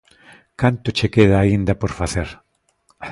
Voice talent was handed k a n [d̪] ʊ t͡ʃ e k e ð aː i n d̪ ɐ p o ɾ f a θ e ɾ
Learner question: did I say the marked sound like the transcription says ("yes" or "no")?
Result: no